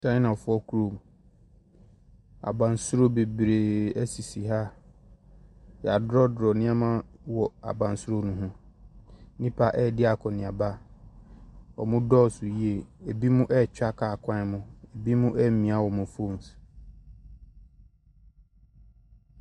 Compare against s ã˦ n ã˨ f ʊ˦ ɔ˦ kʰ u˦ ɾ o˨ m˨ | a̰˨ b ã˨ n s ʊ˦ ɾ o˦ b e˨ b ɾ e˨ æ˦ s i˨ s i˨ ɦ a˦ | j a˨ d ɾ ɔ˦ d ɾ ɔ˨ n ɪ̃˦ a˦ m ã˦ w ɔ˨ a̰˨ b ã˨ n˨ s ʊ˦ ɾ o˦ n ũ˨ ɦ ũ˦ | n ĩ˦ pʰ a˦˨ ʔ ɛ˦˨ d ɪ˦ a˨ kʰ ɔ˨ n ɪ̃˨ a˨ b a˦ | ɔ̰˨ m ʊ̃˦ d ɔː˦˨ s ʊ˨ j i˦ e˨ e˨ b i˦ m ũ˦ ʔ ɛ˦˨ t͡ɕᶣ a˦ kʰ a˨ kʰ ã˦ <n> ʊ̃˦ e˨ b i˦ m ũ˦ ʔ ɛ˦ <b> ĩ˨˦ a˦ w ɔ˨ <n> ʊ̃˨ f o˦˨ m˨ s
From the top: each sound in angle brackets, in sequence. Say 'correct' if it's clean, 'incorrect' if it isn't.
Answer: incorrect: m, incorrect: m, incorrect: m

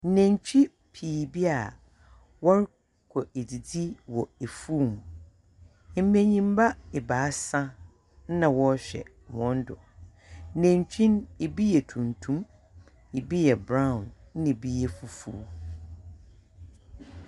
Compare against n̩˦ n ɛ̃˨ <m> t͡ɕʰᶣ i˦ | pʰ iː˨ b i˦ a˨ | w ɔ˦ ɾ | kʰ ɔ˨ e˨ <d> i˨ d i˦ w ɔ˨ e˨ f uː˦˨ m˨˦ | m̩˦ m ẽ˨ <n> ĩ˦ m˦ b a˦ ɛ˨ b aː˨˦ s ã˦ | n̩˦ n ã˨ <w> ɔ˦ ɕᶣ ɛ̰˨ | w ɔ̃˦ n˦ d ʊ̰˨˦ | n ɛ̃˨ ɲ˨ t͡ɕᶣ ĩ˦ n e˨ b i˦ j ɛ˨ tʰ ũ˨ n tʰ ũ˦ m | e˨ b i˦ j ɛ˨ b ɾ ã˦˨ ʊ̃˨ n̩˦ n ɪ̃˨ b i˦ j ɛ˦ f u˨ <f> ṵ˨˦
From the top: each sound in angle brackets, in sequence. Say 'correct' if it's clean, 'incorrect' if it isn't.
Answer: incorrect: ɲ, correct, incorrect: ɲ, correct, correct

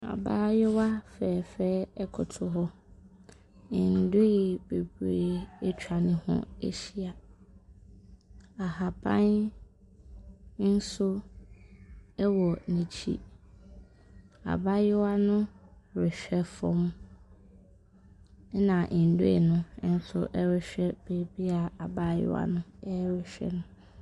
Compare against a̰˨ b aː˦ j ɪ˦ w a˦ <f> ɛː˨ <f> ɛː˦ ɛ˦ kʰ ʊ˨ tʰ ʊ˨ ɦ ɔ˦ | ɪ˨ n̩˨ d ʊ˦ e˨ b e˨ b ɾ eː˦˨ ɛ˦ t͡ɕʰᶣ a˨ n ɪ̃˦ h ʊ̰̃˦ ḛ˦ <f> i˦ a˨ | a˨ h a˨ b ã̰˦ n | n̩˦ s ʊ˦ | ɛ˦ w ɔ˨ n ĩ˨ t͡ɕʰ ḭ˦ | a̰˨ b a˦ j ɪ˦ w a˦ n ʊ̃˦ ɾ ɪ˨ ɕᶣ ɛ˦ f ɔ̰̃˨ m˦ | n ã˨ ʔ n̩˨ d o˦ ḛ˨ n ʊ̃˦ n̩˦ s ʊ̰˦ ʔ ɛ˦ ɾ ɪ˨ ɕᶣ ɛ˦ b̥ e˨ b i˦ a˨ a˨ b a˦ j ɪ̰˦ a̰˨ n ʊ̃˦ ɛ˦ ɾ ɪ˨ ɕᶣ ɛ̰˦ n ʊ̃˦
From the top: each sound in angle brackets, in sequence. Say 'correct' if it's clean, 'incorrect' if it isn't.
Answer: correct, correct, incorrect: ɕ

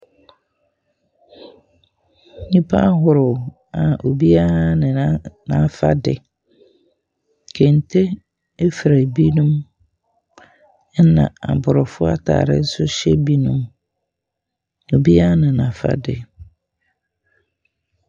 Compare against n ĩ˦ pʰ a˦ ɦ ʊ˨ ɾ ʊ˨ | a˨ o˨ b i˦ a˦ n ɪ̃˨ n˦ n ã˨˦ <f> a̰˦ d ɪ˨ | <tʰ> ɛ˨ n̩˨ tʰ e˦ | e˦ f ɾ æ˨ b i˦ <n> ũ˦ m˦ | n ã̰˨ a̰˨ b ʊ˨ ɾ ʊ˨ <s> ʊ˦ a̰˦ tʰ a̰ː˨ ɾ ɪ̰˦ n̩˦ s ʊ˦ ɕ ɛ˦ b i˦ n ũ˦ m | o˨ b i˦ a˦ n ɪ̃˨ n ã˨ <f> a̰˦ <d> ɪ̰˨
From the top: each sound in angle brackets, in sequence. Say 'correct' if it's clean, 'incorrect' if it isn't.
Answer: correct, incorrect: kʰ, correct, incorrect: f, correct, correct

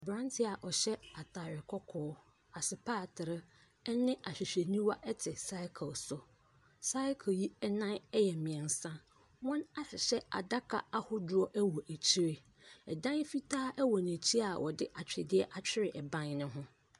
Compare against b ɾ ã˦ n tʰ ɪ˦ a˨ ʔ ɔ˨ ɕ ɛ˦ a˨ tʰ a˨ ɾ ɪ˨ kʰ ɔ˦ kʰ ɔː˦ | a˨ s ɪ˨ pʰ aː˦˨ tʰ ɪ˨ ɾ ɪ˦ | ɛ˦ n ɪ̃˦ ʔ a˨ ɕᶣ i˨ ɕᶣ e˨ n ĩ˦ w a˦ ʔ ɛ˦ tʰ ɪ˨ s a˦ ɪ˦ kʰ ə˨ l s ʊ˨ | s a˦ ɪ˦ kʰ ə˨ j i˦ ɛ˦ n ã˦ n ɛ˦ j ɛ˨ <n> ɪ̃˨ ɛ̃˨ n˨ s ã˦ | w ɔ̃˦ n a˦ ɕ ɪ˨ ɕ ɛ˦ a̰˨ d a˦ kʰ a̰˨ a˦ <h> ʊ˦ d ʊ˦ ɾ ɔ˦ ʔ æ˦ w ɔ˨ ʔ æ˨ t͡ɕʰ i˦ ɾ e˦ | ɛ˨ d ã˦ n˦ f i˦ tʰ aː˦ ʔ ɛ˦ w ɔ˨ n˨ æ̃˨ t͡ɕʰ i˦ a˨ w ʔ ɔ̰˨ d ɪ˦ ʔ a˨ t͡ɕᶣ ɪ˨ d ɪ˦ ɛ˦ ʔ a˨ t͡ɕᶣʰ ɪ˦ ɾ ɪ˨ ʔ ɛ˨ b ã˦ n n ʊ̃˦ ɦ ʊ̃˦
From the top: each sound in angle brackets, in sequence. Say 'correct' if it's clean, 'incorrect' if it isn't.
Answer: incorrect: m, correct

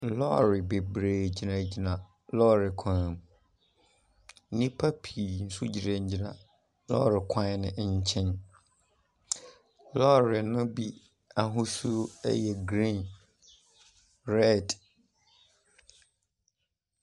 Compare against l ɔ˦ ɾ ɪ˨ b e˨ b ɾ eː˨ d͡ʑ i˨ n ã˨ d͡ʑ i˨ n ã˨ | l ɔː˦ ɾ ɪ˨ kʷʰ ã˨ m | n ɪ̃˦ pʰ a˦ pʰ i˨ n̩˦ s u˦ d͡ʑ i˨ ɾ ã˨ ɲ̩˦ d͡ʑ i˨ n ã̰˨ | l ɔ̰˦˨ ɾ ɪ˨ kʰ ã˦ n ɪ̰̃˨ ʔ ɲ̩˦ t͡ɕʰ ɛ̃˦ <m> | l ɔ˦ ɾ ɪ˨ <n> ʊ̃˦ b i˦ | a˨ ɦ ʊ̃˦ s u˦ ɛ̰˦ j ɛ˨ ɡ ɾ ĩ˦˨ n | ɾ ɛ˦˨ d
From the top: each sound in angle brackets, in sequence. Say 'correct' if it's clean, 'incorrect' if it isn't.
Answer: incorrect: n, correct

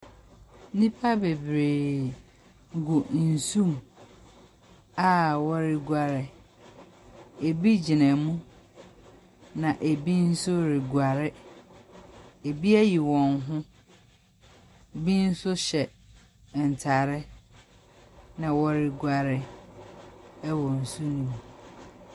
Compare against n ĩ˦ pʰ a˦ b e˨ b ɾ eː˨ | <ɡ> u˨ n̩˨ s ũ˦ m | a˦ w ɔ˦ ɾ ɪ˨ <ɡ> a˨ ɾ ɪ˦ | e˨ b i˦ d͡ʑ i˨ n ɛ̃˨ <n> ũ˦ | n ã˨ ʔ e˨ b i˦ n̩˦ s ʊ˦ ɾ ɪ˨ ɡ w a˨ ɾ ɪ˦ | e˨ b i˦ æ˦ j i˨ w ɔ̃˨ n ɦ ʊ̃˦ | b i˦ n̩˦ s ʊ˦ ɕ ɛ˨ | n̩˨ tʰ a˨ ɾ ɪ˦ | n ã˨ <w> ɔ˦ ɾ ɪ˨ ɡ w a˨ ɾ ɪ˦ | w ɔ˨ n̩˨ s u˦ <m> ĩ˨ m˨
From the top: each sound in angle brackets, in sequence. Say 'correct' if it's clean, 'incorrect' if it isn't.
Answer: correct, correct, incorrect: m, correct, incorrect: n

